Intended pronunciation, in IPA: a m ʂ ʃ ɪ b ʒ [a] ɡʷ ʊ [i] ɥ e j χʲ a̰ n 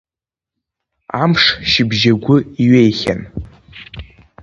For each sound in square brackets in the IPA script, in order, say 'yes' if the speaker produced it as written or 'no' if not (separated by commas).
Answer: yes, yes